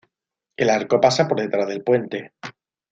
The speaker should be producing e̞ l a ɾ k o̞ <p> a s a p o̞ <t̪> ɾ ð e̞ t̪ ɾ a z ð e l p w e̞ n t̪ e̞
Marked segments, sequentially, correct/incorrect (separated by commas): correct, incorrect